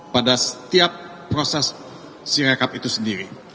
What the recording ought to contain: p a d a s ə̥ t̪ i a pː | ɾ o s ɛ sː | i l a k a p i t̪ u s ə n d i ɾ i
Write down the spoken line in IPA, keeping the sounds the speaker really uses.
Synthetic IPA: p a d a s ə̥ t̪ i a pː | ɾ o s ɛ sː | i ɾ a k a p i t̪ u s ə n d i ɾ i